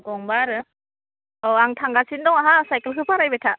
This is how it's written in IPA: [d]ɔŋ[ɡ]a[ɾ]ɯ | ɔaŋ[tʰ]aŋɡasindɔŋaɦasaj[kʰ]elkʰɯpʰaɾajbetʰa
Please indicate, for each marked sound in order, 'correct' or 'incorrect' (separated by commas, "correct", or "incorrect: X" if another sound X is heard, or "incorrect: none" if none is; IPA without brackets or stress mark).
incorrect: ɡ, incorrect: b, correct, correct, incorrect: k